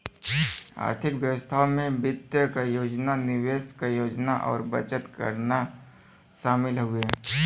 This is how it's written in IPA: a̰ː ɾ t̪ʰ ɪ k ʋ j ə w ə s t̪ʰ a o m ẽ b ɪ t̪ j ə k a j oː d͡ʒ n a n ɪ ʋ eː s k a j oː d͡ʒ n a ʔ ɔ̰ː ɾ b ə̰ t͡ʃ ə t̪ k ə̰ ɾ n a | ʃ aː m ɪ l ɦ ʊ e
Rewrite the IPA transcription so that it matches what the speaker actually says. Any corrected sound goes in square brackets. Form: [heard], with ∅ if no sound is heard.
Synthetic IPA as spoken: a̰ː ɾ t̪ʰ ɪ k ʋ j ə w ə s t̪ʰ a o m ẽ b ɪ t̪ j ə k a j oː d͡ʒ n a n ɪ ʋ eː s k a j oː d͡ʒ n a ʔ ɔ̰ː ɾ b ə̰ t͡ʃ ə t̪ k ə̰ ɾ n a | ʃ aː m ɪ l ɦ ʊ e